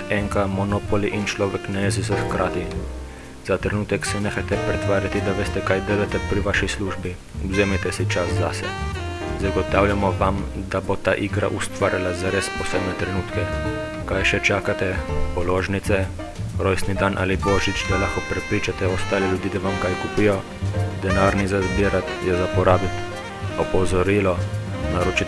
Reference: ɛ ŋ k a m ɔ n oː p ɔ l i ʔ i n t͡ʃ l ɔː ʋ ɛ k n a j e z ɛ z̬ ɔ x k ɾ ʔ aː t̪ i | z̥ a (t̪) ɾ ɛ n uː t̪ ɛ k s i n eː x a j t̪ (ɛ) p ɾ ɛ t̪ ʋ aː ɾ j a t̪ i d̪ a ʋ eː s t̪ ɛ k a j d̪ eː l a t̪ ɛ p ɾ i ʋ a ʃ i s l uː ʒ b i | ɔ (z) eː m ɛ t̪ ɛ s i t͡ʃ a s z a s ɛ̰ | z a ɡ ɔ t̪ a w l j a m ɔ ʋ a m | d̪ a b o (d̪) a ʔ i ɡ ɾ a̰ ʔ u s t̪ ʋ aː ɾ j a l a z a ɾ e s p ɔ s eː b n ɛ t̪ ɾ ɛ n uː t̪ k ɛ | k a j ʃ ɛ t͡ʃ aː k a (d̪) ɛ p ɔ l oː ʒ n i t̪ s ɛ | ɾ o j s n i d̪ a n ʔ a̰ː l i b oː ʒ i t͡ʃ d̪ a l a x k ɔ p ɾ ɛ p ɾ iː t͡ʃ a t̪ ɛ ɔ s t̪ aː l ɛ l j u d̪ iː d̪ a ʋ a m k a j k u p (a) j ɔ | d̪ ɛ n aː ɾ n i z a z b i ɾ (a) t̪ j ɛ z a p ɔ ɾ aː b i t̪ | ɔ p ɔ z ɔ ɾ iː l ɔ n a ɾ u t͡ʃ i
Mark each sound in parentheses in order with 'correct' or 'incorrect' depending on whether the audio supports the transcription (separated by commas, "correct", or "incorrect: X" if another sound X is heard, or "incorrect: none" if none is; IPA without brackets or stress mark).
correct, correct, correct, incorrect: t̪, incorrect: t̪, incorrect: i, correct